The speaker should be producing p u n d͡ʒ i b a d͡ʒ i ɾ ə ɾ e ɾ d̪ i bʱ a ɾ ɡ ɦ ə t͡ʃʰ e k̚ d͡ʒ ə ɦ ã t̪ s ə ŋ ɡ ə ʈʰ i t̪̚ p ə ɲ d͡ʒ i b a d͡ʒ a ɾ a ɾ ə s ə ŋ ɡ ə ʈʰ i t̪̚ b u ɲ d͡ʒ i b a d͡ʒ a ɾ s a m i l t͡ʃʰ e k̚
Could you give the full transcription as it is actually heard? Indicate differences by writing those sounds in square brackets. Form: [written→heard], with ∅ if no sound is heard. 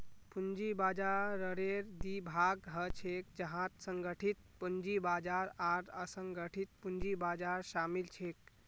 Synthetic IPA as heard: p u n d͡ʒ i b a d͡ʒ [i→a] ɾ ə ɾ e ɾ d̪ i bʱ a [ɾ→∅] ɡ ɦ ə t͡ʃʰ e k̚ d͡ʒ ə ɦ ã t̪ s ə ŋ ɡ ə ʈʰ i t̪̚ p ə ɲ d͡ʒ i b a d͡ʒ a ɾ a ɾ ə s ə ŋ ɡ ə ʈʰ i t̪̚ [b→p] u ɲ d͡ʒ i b a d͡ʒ a ɾ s a m i l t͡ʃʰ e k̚

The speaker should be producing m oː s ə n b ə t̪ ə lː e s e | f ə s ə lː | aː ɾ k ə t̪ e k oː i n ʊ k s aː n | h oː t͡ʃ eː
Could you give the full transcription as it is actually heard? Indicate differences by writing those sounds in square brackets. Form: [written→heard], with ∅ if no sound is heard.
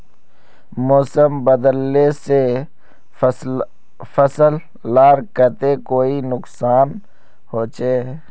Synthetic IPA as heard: m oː s ə [n→m] b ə [t̪→d̪] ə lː e s e | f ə s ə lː | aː ɾ k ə t̪ e k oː i n ʊ k s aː n | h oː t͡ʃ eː

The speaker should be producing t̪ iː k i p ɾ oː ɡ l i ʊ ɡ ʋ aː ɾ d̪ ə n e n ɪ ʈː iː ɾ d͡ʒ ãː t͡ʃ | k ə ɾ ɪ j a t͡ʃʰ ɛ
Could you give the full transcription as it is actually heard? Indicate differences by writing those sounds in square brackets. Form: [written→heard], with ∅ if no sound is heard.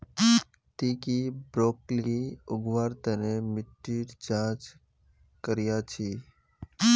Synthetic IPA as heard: t̪ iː k i [p→b] ɾ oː [ɡ→k] l i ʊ ɡ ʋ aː ɾ [d̪→t̪] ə n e [n→m] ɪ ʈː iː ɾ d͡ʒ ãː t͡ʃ | k ə ɾ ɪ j a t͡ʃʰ [ɛ→i]

